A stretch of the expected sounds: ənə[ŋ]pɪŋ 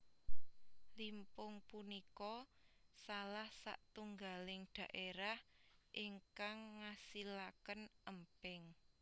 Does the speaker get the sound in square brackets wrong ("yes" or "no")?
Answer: yes